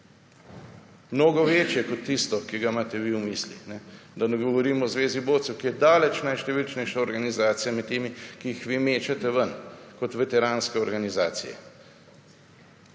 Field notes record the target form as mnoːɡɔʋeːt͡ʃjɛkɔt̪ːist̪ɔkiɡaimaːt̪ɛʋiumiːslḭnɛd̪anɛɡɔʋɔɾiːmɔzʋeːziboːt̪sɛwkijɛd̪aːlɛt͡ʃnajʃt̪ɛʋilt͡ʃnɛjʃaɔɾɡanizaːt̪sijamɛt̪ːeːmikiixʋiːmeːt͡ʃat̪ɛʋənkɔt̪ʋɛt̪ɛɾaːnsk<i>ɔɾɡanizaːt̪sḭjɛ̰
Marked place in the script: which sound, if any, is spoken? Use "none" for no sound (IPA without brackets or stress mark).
ɛ